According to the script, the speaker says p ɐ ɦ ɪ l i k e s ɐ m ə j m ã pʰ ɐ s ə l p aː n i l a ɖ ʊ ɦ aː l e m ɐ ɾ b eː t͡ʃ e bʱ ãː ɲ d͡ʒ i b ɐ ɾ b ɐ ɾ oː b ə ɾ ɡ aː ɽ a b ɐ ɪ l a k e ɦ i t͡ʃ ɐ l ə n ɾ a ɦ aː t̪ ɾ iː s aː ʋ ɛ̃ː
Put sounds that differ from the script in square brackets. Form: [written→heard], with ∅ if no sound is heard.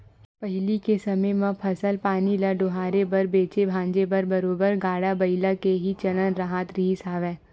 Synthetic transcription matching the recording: p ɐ ɦ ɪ l i k e s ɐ m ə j m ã pʰ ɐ s ə l p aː n i l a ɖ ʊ ɦ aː [l→ɾ] e [m→b] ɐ ɾ b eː t͡ʃ e bʱ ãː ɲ d͡ʒ [i→e] b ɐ ɾ b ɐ ɾ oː b ə ɾ ɡ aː ɽ a b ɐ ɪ l a k e ɦ i t͡ʃ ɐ l ə n ɾ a ɦ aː t̪ ɾ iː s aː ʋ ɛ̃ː

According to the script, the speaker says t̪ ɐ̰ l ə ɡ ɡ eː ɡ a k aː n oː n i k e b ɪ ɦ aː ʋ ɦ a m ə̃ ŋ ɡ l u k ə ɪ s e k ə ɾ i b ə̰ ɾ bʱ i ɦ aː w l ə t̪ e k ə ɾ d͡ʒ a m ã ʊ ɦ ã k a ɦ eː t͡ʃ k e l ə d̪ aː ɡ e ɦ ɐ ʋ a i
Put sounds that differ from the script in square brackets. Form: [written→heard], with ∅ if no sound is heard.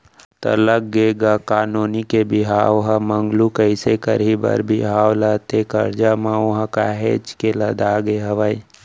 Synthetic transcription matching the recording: t̪ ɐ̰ l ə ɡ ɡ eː ɡ a k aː n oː n i k e b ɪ ɦ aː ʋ ɦ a m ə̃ ŋ ɡ l u k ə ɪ s e k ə ɾ i b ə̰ ɾ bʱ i ɦ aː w l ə t̪ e k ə ɾ d͡ʒ a m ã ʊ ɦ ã k a ɦ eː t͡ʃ k e l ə d̪ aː ɡ e ɦ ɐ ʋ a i

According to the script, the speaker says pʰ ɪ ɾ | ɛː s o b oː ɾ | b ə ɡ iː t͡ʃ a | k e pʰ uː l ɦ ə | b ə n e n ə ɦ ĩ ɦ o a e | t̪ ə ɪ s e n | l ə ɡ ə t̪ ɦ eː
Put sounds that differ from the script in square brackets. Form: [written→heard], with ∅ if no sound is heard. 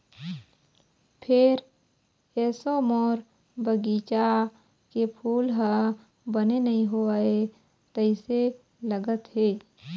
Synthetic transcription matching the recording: pʰ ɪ ɾ | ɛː s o [b→m] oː ɾ | b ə ɡ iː t͡ʃ a | k e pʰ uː l ɦ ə | b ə n e n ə ɦ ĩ ɦ o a e | t̪ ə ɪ s e [n→∅] | l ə ɡ ə t̪ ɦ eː

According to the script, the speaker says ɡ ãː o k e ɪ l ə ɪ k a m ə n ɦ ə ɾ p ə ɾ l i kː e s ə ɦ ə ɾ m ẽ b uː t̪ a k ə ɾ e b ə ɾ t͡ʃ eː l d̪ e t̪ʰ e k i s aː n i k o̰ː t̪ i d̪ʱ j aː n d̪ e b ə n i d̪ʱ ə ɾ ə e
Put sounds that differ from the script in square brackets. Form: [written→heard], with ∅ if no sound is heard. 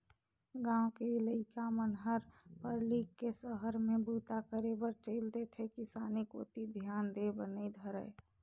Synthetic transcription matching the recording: ɡ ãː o k e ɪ l ə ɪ k a m ə n ɦ ə ɾ p ə ɾ l i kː e s ə ɦ ə ɾ m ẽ b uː t̪ a k ə ɾ e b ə ɾ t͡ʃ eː l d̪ e t̪ʰ e k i s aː n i k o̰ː t̪ i d̪ʱ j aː n d̪ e b ə n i d̪ʱ ə ɾ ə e

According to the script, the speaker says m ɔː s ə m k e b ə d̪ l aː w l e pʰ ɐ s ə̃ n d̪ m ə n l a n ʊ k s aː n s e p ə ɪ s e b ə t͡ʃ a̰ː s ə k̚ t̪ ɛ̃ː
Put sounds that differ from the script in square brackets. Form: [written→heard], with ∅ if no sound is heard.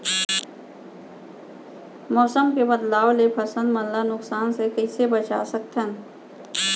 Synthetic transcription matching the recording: m ɔː s ə m k e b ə d̪ l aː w l e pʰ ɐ s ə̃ n d̪ m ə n l a n ʊ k s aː n s e [p→k] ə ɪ s e b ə t͡ʃ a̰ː s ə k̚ t̪ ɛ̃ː

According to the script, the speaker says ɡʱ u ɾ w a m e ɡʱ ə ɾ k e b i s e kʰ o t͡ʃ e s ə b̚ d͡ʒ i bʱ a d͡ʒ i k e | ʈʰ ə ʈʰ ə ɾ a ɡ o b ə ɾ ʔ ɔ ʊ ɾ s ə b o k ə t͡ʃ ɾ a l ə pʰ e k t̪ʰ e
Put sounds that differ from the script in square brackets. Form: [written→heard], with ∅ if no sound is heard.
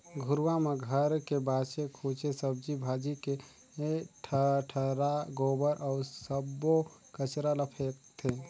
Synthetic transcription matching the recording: ɡʱ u ɾ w a m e ɡʱ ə ɾ k e b [i→a] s e kʰ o t͡ʃ e s ə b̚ d͡ʒ i bʱ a d͡ʒ i k e | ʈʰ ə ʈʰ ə ɾ a ɡ o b ə ɾ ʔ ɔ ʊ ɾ s ə b o k ə t͡ʃ ɾ a l ə pʰ e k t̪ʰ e

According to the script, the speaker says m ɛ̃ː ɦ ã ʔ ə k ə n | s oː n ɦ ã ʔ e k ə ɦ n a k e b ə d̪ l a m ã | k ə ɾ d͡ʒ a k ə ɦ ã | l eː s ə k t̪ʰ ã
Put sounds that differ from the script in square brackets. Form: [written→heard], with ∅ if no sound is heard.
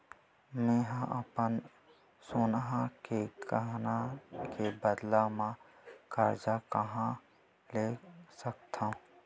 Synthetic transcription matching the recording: m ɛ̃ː ɦ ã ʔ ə [k→p] ə n | s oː n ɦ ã [ʔ→k] e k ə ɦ n a k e b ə d̪ l a m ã | k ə ɾ d͡ʒ a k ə ɦ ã | l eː s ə k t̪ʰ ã

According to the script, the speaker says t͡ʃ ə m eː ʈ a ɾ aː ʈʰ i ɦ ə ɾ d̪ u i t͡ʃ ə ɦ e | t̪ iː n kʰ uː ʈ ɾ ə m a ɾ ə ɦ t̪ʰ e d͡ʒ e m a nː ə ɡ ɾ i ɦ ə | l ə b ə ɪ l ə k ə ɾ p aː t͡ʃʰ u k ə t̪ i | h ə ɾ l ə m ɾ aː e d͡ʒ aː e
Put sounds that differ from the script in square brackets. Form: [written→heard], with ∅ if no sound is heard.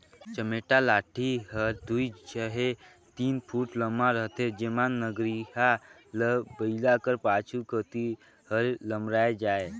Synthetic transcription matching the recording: t͡ʃ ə m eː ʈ a [ɾ→l] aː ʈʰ i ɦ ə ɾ d̪ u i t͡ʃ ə ɦ e | t̪ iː n [kʰ→pʰ] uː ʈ [ɾ→l] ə m a ɾ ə ɦ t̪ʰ e d͡ʒ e m a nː ə ɡ ɾ i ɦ [ə→a] | l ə b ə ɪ l [ə→a] k ə ɾ p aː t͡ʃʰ u k ə t̪ i | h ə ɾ l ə m ɾ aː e d͡ʒ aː e

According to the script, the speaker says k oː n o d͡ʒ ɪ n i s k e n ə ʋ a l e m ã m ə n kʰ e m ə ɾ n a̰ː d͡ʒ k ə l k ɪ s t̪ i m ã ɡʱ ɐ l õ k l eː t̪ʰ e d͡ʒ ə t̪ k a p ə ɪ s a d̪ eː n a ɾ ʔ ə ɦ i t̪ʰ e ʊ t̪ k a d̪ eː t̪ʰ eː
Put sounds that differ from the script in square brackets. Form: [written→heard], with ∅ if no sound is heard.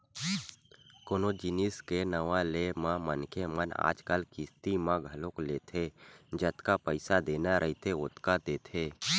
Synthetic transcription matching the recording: k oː n o d͡ʒ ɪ n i s k e n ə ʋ a l e m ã m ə n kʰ e m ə [ɾ→∅] n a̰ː d͡ʒ k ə l k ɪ s t̪ i m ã ɡʱ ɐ l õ k l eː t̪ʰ e d͡ʒ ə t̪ k a p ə ɪ s a d̪ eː n a ɾ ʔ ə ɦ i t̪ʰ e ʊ t̪ k a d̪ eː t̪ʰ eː

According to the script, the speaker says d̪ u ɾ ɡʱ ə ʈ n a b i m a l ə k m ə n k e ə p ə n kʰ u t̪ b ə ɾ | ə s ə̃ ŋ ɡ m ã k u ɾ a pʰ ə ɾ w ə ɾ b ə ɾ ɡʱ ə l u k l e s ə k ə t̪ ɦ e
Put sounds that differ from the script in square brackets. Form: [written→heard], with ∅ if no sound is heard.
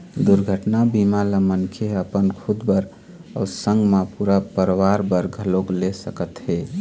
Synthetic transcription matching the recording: d̪ u ɾ ɡʱ ə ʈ n a b i m a l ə [k→∅] m ə n [k→kʰ] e ə p ə n kʰ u [t̪→d̪] b ə ɾ | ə s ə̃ ŋ ɡ m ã [k→p] u ɾ a [pʰ→p] ə ɾ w [ə→a] ɾ b ə ɾ ɡʱ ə l [u→o] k l e s ə k ə t̪ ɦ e

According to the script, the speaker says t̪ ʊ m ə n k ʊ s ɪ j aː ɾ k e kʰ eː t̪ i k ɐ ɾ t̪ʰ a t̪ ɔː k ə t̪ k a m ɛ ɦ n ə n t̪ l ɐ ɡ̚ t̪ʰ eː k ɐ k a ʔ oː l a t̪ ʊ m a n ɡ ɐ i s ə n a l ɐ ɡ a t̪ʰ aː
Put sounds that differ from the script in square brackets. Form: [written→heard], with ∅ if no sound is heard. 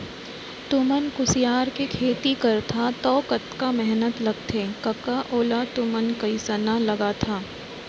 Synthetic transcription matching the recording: t̪ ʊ m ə n k ʊ s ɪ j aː ɾ k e kʰ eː t̪ i k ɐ ɾ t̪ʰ a t̪ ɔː k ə t̪ k a m ɛ ɦ n ə [n→∅] t̪ l ɐ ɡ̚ t̪ʰ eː k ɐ k a ʔ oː l a t̪ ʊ m [a→ə] n [ɡ→k] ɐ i s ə n a l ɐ ɡ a t̪ʰ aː

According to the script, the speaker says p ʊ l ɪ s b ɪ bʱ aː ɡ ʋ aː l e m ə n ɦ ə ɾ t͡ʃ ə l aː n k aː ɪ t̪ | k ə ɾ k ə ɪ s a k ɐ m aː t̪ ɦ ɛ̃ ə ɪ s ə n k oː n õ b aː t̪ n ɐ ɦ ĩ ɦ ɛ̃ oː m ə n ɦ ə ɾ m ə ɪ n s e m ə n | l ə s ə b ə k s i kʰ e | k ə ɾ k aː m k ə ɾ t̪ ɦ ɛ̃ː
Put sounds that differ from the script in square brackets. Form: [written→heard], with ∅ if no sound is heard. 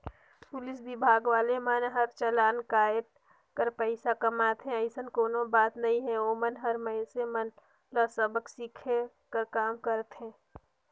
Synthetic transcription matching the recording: p ʊ l ɪ s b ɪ bʱ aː ɡ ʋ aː l e m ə n ɦ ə ɾ t͡ʃ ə l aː n k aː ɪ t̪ | k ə ɾ [k→p] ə ɪ s a k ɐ m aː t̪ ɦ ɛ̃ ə ɪ s ə n k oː n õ b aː t̪ n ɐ ɦ ĩ ɦ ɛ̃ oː m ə n ɦ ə ɾ m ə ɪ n s e m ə n | l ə s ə b ə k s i kʰ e | k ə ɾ k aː m k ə ɾ t̪ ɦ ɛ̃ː

